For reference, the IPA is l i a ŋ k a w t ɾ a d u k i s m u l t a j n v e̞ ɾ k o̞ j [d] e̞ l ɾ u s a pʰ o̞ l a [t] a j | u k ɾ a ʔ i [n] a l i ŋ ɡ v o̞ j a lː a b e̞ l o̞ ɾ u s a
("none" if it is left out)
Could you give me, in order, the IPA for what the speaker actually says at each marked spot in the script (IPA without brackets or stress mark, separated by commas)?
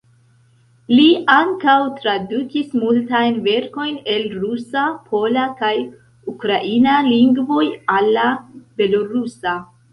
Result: n, k, n